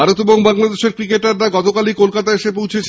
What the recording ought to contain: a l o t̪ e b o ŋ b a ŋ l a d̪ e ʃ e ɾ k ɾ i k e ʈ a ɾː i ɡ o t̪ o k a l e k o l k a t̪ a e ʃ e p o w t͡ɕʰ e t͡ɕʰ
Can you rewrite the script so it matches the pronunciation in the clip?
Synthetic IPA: a ɾ o t̪ e b o ŋ b a ŋ l a d̪ e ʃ e ɾ k ɾ i k e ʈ a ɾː a ɡ ɔ t̪ o k a l i k o l k a t̪ a e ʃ e p o w t͡ɕʰ e t͡ɕʰ